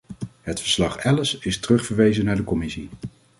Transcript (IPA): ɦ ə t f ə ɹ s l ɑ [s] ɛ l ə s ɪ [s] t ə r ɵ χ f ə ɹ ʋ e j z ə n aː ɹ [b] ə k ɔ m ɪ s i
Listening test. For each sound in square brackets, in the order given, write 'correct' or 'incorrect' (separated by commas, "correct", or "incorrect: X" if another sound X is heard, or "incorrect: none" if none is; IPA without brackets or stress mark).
incorrect: χ, correct, incorrect: d